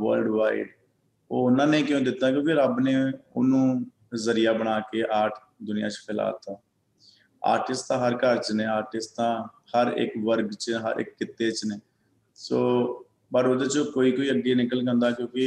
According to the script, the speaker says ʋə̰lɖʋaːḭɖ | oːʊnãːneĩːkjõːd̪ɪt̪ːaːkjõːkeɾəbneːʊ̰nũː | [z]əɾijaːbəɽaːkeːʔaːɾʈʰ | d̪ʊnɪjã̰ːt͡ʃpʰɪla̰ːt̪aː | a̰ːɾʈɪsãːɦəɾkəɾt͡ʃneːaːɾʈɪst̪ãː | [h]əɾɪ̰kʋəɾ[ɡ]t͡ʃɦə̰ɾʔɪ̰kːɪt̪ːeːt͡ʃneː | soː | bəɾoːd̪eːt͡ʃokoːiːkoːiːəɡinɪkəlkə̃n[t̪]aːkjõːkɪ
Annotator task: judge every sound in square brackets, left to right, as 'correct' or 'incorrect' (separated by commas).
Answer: correct, correct, correct, incorrect